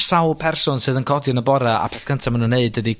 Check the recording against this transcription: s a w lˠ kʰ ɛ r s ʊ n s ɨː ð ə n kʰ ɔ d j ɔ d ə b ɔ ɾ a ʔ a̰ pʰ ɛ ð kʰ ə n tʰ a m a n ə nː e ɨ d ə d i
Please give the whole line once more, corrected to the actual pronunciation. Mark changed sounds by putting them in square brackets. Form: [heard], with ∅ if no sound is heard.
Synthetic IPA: s a w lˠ [pʰ] ɛ r s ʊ n s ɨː ð ə n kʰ ɔ d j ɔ [n] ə b ɔ ɾ a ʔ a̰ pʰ ɛ [θ] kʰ ə n tʰ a m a n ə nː e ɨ d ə d i